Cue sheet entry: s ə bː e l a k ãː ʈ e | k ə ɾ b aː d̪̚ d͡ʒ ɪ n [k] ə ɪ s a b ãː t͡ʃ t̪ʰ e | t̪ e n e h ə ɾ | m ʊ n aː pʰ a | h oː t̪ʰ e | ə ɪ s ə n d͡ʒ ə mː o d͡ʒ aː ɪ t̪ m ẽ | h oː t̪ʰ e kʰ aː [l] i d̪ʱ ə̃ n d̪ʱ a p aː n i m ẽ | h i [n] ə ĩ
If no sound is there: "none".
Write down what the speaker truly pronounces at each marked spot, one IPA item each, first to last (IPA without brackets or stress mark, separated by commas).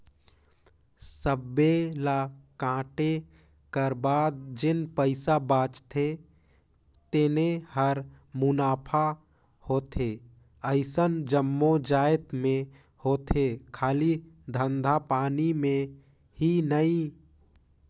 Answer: p, l, n